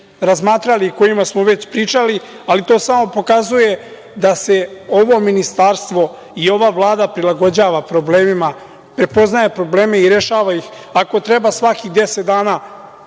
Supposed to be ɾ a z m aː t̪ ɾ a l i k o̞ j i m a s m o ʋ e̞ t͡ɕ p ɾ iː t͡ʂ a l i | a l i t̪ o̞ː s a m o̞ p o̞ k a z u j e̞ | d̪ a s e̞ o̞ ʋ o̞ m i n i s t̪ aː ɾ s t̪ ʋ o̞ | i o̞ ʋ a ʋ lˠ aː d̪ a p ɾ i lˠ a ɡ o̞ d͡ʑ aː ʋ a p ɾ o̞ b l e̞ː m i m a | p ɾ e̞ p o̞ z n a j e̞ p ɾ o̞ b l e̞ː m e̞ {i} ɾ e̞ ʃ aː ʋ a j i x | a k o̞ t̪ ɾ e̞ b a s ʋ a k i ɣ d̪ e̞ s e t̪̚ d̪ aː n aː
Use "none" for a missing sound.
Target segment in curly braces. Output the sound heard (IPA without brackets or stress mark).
i